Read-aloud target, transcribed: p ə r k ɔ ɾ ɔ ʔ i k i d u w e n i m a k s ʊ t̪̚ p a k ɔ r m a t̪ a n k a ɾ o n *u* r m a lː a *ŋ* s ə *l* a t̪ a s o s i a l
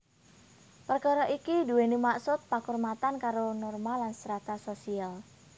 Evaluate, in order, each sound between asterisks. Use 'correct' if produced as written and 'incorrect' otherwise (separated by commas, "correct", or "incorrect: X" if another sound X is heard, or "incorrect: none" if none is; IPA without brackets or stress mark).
incorrect: ɔ, incorrect: n, incorrect: ɾ